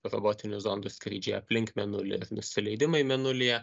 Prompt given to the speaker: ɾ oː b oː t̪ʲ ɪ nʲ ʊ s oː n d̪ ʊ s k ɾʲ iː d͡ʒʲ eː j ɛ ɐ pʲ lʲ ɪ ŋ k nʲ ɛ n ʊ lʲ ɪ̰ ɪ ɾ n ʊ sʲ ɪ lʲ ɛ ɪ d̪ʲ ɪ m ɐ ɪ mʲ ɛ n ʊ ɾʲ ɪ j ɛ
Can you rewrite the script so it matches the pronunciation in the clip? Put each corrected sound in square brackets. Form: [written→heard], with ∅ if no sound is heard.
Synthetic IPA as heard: ɾ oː b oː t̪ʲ ɪ nʲ ʊ [s→z] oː n d̪ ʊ s k ɾʲ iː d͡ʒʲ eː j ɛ ɐ pʲ lʲ ɪ ŋ k [nʲ→mʲ] ɛ n ʊ lʲ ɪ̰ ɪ ɾ n ʊ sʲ ɪ lʲ ɛ ɪ d̪ʲ ɪ m ɐ ɪ mʲ ɛ n ʊ [ɾʲ→lʲ] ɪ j ɛ